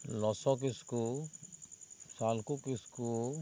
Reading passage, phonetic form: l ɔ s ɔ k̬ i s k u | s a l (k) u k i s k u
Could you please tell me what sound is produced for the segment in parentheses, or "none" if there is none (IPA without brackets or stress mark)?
k